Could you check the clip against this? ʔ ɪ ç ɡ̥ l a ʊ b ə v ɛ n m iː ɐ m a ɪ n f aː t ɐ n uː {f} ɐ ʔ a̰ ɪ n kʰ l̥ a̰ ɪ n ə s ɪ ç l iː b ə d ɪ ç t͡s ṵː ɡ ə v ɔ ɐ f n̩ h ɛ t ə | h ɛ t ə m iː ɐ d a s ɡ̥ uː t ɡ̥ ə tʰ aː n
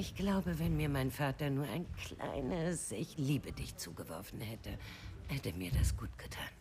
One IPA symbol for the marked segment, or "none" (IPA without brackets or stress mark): none